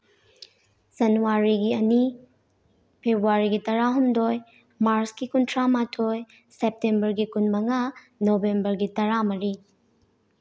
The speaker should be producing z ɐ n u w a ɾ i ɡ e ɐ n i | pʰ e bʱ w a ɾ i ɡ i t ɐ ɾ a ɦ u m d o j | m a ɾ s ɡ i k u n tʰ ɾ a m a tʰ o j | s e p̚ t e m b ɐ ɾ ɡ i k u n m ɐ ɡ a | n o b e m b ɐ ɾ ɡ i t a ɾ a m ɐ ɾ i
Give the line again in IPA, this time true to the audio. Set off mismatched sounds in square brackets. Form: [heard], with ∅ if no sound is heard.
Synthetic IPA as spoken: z ɐ n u w a ɾ i ɡ [i] ɐ n i | pʰ e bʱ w a ɾ i ɡ i t ɐ ɾ a ɦ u m d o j | m a ɾ s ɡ i k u n tʰ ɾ a m a tʰ o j | s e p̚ t e m b ɐ ɾ ɡ i k u n m ɐ [ŋ] a | n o b e m b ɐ ɾ ɡ i t [ɐ] ɾ a m ɐ ɾ i

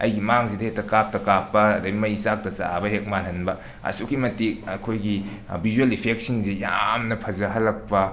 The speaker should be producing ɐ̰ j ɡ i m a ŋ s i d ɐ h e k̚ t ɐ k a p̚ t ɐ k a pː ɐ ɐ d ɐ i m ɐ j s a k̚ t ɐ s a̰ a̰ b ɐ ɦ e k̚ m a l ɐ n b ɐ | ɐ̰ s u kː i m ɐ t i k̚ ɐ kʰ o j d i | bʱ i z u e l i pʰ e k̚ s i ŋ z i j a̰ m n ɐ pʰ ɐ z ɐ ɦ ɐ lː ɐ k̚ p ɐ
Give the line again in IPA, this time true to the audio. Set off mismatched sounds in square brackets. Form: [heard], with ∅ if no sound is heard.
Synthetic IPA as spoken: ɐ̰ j ɡ i m a ŋ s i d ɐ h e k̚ t ɐ k a p̚ t ɐ k a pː ɐ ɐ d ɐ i m ɐ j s a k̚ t ɐ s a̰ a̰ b ɐ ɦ e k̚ m a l ɐ n b ɐ | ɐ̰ s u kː i m ɐ t i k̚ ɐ kʰ o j [ɡ] i | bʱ i z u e l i pʰ e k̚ s i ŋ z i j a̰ m n ɐ pʰ ɐ z ɐ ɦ ɐ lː ɐ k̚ p ɐ

